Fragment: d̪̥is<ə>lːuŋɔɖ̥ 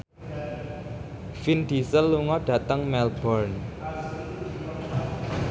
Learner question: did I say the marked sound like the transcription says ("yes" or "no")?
yes